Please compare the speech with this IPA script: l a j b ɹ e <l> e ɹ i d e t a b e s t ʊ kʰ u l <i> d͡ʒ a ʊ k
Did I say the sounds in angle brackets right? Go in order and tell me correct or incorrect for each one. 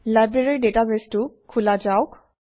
incorrect: ɹ, incorrect: a

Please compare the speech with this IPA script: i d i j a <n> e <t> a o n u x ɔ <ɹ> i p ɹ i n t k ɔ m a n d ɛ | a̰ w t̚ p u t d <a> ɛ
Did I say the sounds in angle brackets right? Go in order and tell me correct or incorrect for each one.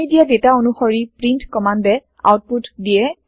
incorrect: d, correct, correct, incorrect: i

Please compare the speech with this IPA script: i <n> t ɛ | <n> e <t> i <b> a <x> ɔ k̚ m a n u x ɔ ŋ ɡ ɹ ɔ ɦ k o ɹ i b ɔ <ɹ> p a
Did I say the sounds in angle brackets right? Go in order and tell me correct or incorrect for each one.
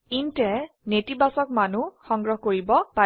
correct, correct, correct, correct, incorrect: s, incorrect: none

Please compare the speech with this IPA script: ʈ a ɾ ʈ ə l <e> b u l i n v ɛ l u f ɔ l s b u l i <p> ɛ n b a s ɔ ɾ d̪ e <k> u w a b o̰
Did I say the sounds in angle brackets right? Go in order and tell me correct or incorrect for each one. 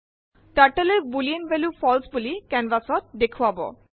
correct, incorrect: k, incorrect: kʰ

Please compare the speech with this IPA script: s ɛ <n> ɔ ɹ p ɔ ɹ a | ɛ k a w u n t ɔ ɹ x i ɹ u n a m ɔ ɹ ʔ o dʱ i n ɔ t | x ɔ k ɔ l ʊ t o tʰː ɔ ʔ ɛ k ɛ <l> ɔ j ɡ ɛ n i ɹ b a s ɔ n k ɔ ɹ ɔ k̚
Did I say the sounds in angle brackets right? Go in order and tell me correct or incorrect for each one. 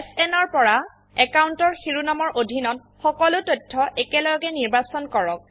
correct, correct

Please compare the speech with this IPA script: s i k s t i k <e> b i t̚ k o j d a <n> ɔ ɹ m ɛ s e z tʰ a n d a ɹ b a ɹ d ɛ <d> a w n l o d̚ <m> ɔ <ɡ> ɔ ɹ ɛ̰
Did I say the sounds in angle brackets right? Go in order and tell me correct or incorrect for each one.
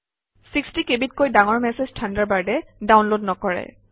correct, incorrect: ŋ, correct, incorrect: n, incorrect: k

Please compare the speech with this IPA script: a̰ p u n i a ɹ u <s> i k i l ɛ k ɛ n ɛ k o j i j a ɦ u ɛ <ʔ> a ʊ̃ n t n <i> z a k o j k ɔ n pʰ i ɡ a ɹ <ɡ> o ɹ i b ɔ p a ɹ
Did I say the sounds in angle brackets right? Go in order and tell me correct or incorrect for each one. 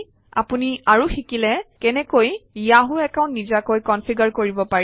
incorrect: x, incorrect: k, correct, incorrect: k

